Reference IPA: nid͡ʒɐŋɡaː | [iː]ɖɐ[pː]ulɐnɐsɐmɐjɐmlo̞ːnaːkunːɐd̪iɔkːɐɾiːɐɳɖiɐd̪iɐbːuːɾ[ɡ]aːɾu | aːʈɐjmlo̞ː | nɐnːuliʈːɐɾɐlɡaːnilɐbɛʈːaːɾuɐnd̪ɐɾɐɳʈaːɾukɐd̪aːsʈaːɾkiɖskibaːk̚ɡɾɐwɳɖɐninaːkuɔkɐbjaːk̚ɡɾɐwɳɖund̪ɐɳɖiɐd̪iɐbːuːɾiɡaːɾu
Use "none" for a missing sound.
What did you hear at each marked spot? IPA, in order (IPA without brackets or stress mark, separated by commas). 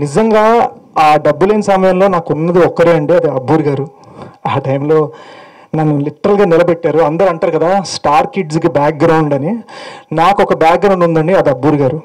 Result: aː, bː, ɡ